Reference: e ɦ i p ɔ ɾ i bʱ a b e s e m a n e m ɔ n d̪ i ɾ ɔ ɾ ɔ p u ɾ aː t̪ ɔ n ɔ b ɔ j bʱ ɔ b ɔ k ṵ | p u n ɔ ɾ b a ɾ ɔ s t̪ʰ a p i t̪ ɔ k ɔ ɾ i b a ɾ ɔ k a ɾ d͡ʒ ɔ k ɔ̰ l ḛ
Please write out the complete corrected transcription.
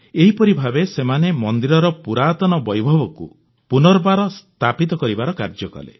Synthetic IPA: e ɦ i p ɔ ɾ i bʱ a b e s e m a n e m ɔ n d̪ i ɾ ɔ ɾ ɔ p u ɾ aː t̪ ɔ n ɔ b ɔ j bʱ ɔ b ɔ k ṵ | p u n ɔ ɾ b a ɾ ɔ s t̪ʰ a p i t̪ ɔ k ɔ ɾ i b a ɾ ɔ k a ɾ d͡ʒ ɔ k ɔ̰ l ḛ